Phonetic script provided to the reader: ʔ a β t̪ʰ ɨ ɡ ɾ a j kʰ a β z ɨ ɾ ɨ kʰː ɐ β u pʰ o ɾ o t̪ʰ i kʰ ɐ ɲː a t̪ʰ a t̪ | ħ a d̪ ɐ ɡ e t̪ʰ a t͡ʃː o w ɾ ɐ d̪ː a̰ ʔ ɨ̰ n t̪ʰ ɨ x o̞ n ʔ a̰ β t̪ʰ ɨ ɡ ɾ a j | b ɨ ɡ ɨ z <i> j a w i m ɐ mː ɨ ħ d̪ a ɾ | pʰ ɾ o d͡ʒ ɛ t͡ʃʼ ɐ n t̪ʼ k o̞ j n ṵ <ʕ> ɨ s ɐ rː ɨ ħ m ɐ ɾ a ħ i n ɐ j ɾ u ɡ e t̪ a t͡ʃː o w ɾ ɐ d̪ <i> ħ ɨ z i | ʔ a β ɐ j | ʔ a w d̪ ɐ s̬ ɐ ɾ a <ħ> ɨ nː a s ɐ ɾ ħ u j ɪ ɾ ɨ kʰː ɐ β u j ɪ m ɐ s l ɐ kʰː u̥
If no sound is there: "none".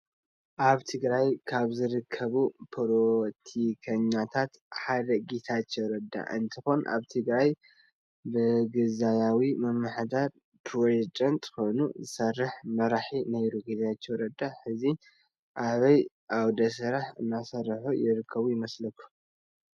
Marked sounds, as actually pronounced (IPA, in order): a, z, a, ħ

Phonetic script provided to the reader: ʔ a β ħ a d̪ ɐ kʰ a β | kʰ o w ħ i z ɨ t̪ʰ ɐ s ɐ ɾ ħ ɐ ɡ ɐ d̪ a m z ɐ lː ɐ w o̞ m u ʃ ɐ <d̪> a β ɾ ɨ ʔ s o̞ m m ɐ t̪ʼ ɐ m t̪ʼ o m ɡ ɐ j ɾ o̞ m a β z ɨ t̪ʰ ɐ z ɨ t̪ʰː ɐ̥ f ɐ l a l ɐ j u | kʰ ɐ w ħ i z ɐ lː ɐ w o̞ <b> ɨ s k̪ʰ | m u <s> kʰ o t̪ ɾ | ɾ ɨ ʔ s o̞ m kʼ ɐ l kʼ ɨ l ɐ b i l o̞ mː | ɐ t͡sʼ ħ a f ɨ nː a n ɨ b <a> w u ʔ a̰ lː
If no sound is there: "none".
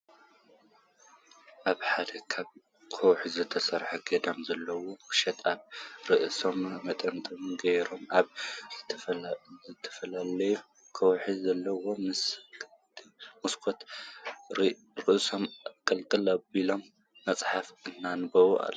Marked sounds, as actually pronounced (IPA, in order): t̪, m, s, ɐ

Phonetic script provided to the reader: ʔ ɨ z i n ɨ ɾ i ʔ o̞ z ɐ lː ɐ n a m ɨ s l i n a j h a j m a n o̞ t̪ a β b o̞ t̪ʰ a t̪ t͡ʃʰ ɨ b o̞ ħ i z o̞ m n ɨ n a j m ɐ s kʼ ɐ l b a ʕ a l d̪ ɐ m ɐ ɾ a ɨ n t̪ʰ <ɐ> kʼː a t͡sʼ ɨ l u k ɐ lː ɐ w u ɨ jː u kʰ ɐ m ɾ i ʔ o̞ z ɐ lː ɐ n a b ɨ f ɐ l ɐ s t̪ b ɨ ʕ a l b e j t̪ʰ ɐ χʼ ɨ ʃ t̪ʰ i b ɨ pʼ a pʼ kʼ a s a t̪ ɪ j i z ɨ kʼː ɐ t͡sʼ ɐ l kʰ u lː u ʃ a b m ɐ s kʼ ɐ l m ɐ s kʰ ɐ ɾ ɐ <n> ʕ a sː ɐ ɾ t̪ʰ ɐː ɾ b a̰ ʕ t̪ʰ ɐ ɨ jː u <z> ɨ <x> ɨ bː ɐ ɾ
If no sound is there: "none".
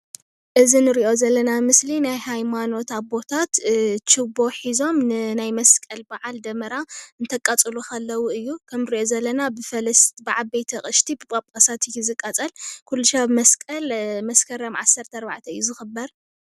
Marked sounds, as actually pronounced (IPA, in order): ɐ, m, z, x

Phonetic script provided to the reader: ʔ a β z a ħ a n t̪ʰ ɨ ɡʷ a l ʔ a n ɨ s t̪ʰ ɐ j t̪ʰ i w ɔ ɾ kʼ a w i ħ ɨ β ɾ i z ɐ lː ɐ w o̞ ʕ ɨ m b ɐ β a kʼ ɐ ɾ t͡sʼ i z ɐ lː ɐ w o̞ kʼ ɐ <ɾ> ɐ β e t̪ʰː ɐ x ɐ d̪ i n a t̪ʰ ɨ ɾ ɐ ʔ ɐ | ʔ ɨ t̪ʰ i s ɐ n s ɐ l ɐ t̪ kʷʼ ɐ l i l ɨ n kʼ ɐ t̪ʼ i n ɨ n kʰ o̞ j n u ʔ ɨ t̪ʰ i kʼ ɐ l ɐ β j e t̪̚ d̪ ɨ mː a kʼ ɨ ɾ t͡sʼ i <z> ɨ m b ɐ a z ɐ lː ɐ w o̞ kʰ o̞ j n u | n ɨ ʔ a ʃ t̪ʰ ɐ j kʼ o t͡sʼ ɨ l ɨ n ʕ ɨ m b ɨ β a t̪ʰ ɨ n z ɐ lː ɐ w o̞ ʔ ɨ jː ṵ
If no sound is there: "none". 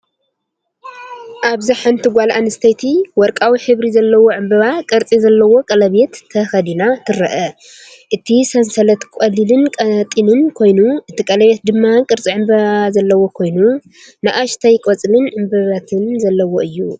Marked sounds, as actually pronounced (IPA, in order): l, ʕ

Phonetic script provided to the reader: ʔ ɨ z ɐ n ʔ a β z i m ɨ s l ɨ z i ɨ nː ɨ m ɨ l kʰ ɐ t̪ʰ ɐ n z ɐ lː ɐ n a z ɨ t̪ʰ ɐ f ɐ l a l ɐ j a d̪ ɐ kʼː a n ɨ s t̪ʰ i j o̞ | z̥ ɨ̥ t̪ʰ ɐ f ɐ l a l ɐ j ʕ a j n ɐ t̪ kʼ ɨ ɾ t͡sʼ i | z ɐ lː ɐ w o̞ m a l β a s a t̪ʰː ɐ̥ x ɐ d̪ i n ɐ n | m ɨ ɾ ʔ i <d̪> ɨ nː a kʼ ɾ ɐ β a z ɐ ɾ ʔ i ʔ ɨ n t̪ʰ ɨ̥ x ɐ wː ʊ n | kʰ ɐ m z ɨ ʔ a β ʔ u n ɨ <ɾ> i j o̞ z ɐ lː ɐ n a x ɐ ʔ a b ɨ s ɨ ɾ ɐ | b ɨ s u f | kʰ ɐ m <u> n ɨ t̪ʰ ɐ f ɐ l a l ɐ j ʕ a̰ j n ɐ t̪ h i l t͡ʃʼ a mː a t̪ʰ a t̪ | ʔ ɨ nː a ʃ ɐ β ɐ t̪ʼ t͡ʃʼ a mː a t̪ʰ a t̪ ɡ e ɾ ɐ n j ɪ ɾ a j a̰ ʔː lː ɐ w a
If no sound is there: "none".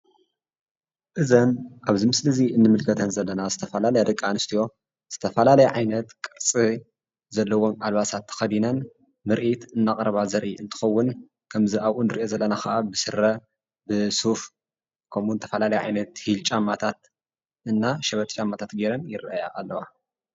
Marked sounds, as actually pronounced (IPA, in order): t̪, ɾ, u

